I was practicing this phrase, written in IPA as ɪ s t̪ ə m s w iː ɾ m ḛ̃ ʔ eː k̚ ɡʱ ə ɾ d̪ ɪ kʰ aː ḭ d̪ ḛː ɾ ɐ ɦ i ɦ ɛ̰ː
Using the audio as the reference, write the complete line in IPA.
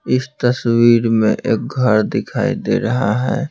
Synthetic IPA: ɪ s t̪ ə s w iː ɾ m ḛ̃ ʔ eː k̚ ɡʱ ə ɾ d̪ ɪ kʰ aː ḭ d̪ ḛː ɾ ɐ ɦ a ɦ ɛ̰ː

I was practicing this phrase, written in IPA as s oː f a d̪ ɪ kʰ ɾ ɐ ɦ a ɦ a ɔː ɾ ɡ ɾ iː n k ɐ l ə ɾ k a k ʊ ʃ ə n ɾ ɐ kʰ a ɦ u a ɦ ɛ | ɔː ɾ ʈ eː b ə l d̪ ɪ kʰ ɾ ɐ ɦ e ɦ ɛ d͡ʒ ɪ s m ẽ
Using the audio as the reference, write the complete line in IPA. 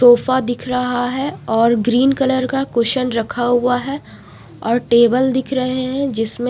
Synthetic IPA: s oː f a d̪ ɪ kʰ ɾ ɐ ɦ a ɦ ɛ ɔː ɾ ɡ ɾ iː n k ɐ l ə ɾ k a k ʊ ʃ ə n ɾ ɐ kʰ a ɦ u a ɦ ɛ | ɔː ɾ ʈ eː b ə l d̪ ɪ kʰ ɾ ɐ ɦ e ɦ ɛ̃ d͡ʒ ɪ s m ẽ

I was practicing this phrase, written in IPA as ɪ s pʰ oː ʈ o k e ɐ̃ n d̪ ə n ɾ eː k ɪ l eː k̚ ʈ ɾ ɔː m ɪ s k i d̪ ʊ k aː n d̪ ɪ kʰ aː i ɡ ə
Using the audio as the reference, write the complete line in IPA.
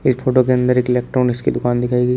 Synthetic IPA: ɪ s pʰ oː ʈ o k e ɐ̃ n d̪ ə ɾ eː k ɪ l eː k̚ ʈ ɾ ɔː n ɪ s k i d̪ ʊ k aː n d̪ ɪ kʰ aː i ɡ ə

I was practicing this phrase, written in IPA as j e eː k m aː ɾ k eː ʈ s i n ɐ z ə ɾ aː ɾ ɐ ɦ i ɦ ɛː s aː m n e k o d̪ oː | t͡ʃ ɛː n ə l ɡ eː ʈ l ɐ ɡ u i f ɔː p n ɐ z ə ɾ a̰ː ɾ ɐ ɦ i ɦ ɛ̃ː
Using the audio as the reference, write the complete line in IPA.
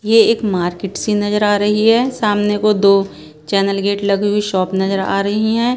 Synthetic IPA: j e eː k m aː ɾ k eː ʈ s i n ɐ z ə ɾ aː ɾ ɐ ɦ i ɦ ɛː s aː m n e k o d̪ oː | t͡ʃ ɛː n ə l ɡ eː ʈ l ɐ ɡ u i ʃ ɔː p n ɐ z ə ɾ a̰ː ɾ ɐ ɦ i ɦ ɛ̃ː

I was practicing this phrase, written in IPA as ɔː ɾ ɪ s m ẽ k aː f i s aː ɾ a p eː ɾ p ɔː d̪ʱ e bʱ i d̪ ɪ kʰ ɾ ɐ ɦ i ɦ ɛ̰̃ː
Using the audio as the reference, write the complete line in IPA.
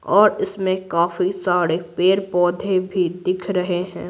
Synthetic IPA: ɔː ɾ ɪ s m ẽ k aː f i s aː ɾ e p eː ɾ p ɔː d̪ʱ e bʱ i d̪ ɪ kʰ ɾ ɐ ɦ e ɦ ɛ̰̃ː

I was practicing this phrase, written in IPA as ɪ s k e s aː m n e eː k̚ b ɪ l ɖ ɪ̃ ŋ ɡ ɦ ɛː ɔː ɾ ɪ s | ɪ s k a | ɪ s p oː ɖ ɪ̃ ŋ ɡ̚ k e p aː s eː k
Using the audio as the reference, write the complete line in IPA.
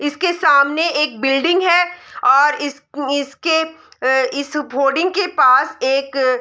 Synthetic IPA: ɪ s k e s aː m n e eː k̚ b ɪ l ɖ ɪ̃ ŋ ɡ ɦ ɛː ɔː ɾ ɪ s | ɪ s k e | ɪ s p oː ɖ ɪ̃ ŋ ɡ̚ k e p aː s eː k

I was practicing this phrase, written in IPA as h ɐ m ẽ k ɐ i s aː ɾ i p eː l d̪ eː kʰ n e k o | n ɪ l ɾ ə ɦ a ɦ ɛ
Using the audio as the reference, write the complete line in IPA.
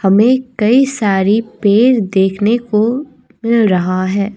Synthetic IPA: h ɐ m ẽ k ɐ i s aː ɾ i p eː ɾ d̪ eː kʰ n e k o | m ɪ l ɾ ɐ ɦ a ɦ ɛː

